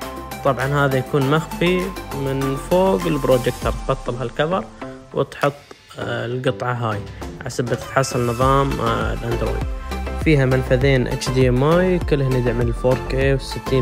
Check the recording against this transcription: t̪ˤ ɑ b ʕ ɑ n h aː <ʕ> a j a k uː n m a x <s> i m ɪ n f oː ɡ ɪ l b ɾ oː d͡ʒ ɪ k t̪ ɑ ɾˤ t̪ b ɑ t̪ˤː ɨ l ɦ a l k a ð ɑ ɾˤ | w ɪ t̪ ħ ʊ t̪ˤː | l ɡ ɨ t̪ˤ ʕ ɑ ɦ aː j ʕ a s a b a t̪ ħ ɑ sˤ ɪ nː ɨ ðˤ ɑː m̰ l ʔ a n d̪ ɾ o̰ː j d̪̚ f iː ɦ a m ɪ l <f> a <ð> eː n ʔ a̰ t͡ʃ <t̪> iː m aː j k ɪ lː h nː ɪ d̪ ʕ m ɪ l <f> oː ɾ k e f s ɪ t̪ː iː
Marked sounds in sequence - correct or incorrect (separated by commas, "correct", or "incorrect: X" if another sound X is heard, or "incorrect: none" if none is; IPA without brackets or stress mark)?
incorrect: ð, incorrect: f, correct, correct, incorrect: d̪, correct